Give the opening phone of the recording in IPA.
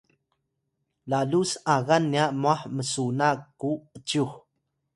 l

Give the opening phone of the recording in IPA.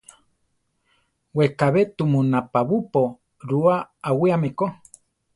w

